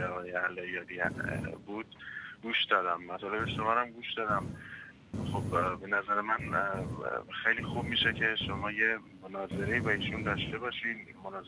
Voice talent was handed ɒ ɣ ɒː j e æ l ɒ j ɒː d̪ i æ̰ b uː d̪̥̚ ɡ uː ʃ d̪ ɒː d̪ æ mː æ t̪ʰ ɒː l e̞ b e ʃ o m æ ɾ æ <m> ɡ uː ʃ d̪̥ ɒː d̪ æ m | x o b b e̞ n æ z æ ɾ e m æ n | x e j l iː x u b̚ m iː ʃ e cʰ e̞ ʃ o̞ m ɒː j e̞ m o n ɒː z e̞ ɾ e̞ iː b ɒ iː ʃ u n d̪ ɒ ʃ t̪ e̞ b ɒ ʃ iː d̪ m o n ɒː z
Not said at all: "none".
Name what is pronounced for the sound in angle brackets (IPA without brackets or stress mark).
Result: m